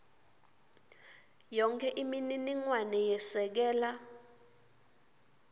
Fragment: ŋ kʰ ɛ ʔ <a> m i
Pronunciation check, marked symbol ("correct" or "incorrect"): incorrect